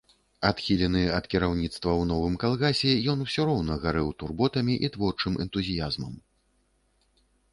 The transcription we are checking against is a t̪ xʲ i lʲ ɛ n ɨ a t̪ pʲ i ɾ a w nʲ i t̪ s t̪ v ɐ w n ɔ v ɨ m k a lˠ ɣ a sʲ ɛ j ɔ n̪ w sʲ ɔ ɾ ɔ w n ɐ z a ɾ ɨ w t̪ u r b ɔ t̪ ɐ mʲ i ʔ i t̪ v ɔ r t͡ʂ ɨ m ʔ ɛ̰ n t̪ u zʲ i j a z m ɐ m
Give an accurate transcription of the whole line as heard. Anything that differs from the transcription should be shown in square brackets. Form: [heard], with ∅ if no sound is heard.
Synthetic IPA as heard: a t̪ xʲ i lʲ ɛ n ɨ [ɐ] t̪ [kʲ] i ɾ a w nʲ i t̪ s t̪ v ɐ w n ɔ v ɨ m k a lˠ ɣ a sʲ ɛ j ɔ n̪ w sʲ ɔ ɾ ɔ w n ɐ [ɣ] a ɾ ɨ w t̪ u r b ɔ t̪ ɐ mʲ i ʔ i t̪ v ɔ r t͡ʂ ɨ m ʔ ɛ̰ n t̪ u zʲ i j a z m ɐ m